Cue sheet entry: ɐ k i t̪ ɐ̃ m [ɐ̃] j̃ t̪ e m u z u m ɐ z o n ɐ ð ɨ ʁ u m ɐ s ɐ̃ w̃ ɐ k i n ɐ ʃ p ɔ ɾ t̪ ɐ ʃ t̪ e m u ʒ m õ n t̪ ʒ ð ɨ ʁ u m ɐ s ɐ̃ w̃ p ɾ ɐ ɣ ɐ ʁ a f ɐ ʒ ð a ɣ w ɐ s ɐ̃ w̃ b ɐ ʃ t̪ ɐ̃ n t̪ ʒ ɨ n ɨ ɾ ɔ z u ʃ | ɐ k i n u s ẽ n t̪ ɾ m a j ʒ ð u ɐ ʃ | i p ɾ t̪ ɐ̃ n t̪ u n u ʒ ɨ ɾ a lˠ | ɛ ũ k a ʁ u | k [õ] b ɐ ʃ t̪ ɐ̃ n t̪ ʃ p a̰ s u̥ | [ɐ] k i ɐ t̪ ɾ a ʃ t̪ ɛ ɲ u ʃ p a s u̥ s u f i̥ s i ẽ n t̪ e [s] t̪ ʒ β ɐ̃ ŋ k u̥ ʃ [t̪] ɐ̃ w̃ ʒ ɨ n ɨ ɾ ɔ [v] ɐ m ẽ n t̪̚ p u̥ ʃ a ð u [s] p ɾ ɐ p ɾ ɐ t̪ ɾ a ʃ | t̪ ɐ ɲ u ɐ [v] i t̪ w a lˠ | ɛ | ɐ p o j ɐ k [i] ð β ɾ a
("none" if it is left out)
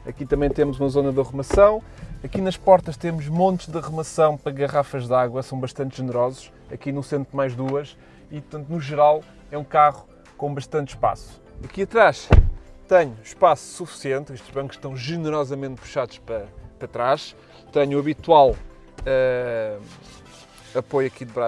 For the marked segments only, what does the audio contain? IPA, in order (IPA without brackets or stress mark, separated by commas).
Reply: ɐ̃, õ, ɐ, ʃ, t̪, z, ʃ, β, i